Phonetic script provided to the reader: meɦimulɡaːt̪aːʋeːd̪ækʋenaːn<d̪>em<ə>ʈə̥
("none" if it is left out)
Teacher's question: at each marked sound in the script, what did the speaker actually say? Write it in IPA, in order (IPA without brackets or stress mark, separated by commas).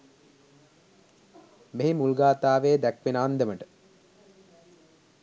d̪, ə